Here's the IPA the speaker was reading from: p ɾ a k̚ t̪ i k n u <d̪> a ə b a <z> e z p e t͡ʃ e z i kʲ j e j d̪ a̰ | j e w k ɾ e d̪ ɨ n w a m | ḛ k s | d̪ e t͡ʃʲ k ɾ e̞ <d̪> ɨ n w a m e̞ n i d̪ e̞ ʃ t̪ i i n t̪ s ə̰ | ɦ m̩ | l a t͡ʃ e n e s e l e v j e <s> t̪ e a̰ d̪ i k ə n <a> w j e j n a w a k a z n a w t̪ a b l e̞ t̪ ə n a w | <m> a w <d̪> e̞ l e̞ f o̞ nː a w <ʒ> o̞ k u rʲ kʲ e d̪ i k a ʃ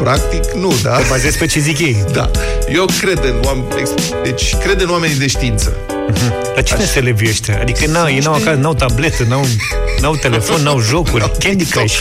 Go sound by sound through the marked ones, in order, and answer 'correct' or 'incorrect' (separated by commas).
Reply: correct, correct, correct, incorrect, correct, incorrect, incorrect, correct